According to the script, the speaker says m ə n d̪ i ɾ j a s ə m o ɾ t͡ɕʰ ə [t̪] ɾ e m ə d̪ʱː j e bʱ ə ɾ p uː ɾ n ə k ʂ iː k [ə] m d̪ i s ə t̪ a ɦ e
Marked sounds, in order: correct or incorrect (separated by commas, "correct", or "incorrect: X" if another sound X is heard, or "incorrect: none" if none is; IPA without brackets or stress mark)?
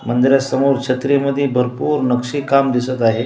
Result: correct, incorrect: a